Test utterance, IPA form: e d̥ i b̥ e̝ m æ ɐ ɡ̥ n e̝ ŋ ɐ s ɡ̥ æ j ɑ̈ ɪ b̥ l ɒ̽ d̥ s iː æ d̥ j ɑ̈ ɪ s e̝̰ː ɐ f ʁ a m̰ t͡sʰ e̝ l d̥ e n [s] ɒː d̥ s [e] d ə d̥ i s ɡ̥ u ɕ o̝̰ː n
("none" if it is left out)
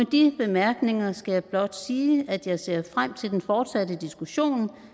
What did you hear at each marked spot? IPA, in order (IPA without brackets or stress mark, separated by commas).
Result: f, æ